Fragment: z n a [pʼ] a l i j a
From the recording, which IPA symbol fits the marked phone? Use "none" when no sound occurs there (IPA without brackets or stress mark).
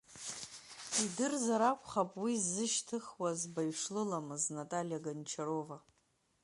tʼ